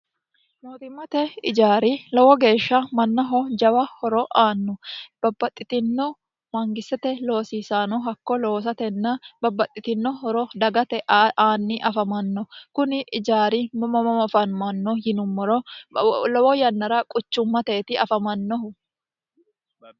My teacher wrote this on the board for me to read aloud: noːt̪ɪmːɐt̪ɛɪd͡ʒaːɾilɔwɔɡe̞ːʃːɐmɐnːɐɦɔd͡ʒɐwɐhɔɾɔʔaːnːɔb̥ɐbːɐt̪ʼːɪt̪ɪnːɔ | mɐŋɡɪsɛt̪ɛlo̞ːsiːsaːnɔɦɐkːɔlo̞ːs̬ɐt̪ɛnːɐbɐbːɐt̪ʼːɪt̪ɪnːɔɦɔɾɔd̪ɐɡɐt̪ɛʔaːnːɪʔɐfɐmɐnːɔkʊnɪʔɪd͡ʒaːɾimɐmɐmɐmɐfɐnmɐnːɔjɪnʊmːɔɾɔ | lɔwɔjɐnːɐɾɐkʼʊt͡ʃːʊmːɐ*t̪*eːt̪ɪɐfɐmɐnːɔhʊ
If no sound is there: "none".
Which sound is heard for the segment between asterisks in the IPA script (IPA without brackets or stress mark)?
t̪